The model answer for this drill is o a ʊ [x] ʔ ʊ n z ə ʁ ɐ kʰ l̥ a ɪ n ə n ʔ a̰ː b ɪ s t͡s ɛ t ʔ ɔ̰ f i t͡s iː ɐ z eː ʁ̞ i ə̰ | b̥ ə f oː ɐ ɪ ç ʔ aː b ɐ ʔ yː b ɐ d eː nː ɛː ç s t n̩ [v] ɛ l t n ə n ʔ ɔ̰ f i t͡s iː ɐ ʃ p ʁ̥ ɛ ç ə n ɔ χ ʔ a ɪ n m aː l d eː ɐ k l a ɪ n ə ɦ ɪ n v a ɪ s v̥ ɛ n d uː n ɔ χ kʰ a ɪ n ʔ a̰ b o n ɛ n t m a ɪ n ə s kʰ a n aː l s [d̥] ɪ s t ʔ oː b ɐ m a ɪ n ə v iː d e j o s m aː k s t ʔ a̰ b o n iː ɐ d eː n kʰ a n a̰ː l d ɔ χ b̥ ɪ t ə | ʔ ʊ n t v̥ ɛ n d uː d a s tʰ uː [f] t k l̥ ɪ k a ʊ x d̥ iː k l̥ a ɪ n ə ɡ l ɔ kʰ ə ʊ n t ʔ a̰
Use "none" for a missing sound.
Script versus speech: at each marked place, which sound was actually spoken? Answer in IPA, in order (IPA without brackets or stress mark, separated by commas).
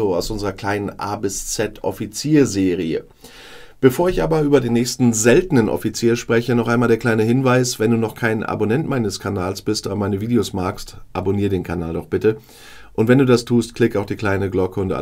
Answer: s, z, b̥, s